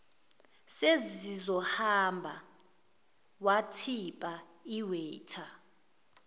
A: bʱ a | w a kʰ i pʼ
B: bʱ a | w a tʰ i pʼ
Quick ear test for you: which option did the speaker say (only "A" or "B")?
B